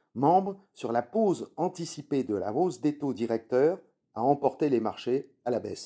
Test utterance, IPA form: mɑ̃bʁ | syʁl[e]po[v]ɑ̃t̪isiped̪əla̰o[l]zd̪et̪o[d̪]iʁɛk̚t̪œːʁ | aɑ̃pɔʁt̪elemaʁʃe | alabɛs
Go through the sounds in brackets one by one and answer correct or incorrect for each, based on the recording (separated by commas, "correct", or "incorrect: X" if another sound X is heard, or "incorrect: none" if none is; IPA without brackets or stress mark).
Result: incorrect: a, incorrect: z, incorrect: none, correct